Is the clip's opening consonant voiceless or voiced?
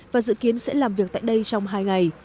voiced